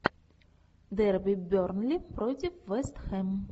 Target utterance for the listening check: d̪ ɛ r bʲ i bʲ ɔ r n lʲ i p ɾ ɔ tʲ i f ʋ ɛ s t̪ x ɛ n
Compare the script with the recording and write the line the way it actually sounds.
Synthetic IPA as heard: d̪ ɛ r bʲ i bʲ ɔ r n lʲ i p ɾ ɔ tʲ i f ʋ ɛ s t̪ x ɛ m